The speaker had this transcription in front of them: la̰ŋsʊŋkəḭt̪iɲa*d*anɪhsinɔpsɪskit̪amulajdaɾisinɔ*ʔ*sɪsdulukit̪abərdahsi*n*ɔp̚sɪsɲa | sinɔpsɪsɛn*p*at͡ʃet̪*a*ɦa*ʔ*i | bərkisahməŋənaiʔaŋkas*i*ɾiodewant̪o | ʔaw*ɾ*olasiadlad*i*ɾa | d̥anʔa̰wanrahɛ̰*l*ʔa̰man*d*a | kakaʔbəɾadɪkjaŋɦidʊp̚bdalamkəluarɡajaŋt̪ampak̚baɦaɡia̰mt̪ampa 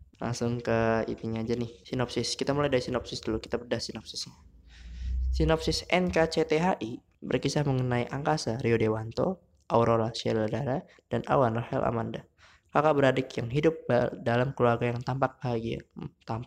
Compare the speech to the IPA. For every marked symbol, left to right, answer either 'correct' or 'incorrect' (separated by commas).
incorrect, incorrect, correct, incorrect, incorrect, correct, incorrect, correct, incorrect, correct, correct